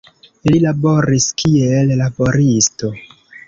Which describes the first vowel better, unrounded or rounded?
unrounded